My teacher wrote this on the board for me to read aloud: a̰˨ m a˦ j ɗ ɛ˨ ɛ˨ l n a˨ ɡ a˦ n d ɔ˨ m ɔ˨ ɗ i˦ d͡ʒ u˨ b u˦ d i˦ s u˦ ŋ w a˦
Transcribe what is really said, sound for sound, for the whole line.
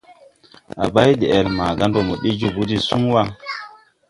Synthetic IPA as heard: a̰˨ b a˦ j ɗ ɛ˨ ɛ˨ l m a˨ ɡ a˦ n d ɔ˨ m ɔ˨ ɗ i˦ d͡ʒ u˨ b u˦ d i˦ s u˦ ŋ w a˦